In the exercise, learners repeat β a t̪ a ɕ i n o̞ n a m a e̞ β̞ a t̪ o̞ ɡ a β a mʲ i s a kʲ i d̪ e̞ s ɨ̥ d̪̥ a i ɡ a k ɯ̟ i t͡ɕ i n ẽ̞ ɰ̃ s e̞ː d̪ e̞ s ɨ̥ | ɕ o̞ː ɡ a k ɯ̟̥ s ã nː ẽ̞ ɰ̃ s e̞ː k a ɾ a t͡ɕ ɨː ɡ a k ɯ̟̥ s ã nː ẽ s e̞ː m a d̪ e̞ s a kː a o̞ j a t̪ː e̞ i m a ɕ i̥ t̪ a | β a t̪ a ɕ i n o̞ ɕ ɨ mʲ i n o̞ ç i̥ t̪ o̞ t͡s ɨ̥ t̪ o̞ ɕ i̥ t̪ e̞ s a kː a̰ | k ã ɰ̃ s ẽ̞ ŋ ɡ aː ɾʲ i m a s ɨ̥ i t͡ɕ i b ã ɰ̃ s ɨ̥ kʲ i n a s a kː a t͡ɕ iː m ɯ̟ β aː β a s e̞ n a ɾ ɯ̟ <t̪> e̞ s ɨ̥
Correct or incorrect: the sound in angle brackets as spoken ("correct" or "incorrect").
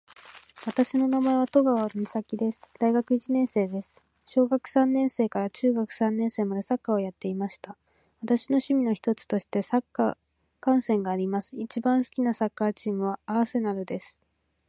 incorrect